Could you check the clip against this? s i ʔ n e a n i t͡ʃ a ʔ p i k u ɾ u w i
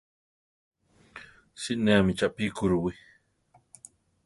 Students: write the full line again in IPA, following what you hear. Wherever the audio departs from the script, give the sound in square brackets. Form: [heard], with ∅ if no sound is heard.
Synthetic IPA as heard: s i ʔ n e a [m] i t͡ʃ a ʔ p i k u ɾ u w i